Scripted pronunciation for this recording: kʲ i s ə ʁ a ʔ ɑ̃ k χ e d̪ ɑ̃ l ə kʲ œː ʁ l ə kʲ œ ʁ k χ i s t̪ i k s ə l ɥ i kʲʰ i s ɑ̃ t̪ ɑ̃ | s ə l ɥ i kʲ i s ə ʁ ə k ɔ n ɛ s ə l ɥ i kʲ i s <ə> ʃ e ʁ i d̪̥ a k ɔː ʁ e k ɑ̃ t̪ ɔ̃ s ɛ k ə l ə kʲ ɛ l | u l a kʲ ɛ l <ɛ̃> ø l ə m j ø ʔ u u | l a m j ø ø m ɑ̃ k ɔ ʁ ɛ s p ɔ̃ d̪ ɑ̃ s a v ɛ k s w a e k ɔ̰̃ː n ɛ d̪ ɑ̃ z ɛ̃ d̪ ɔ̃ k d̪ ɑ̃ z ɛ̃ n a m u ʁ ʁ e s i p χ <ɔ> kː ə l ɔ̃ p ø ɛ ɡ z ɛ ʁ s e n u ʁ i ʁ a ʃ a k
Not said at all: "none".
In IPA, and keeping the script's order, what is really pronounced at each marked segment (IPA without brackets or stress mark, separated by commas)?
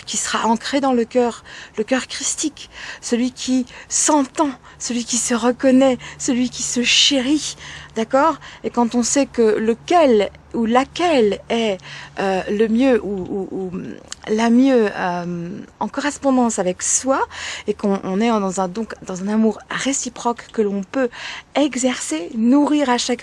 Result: ə, ɛ, ɔ